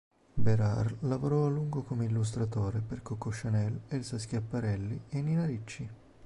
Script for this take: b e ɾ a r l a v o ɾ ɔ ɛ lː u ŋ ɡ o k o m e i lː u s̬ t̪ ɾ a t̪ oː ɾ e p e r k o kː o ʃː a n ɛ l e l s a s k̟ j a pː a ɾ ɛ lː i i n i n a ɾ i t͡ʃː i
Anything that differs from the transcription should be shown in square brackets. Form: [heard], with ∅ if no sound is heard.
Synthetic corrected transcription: b e ɾ a r l a v o ɾ ɔ [a] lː u ŋ ɡ o k o m e i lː u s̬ t̪ ɾ a t̪ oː ɾ e p e r k o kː o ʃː a n ɛ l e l s a s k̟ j a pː a ɾ ɛ lː i [e] n i n a ɾ i t͡ʃː i

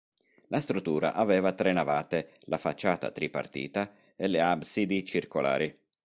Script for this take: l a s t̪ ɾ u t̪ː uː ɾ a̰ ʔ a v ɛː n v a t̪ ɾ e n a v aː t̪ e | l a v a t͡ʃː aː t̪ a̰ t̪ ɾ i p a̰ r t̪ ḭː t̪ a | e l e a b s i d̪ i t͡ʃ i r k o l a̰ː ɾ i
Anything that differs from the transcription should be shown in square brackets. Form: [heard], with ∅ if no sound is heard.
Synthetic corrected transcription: l a s t̪ ɾ u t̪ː uː ɾ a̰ ʔ a v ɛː [∅] v a t̪ ɾ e n a v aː t̪ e | l a [f] a t͡ʃː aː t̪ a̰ t̪ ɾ i p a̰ r t̪ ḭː t̪ a | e l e a b s i d̪ i t͡ʃ i r k o l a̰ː ɾ i

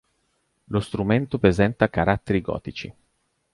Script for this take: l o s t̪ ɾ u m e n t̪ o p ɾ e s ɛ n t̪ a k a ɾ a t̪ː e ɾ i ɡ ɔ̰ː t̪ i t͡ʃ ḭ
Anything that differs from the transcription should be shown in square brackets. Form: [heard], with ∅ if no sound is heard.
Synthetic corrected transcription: l o s t̪ ɾ u m e n t̪ o p ɾ e [z] ɛ n t̪ a k a ɾ a t̪ː e ɾ i ɡ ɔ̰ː t̪ i t͡ʃ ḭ

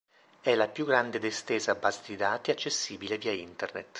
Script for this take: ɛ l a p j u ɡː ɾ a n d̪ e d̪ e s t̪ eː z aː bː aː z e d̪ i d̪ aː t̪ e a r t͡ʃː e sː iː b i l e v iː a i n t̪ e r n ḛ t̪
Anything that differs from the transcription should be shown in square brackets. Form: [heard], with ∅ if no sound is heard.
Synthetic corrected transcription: ɛ l a p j u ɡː ɾ a n d̪ e d̪ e s t̪ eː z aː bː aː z e d̪ i d̪ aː t̪ [i] a [∅] t͡ʃː e sː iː b i l e v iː a i n t̪ e r n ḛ t̪

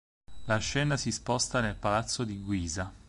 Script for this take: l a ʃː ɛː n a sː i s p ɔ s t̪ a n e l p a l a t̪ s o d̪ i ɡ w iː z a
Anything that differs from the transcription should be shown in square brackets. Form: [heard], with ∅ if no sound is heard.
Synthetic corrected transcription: l a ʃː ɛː n a [s] i s p ɔ s t̪ a n e l p a l a t̪ [sː] o d̪ i ɡ w iː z a

